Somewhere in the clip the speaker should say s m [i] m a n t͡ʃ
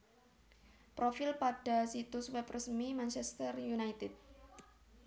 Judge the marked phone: correct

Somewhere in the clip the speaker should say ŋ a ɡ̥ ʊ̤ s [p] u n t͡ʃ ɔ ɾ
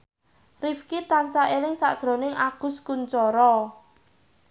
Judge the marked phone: incorrect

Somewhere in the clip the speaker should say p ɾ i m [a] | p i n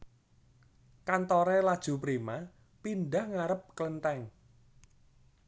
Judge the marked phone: correct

